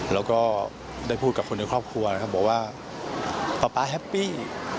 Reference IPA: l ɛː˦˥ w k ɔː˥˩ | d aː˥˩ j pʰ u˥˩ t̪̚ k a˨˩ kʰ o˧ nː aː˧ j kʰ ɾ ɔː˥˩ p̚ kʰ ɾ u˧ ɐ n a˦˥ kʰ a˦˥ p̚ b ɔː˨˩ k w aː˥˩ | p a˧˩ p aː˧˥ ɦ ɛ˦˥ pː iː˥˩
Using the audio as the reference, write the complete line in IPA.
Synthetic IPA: l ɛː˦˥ w k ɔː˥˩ | d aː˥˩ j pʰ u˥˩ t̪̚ k a˨˩ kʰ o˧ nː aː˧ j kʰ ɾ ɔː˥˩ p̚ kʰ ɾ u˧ ɐ n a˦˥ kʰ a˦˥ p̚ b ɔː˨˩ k w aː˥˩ | p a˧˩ p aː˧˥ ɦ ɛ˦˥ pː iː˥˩